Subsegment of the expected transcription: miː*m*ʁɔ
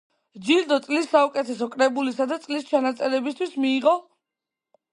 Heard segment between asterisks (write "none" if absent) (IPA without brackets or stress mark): none